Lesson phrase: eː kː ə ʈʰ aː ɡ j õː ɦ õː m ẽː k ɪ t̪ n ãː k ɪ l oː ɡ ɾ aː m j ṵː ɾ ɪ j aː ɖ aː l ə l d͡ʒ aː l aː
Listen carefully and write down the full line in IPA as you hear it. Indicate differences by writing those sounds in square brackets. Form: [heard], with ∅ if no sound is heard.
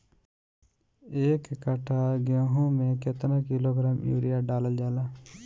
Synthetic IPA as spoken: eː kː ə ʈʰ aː ɡ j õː ɦ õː m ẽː k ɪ t̪ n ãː k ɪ l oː ɡ ɾ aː m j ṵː ɾ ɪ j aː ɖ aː l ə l d͡ʒ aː l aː